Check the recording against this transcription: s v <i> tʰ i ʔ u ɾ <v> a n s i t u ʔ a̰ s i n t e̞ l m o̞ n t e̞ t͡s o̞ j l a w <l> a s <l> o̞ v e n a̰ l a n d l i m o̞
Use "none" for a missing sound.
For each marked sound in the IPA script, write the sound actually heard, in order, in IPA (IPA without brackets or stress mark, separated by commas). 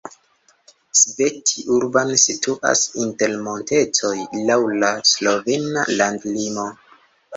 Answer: e, b, l, l